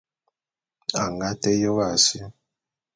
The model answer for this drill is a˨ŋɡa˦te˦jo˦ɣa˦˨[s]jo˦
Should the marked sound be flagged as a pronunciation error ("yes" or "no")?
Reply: no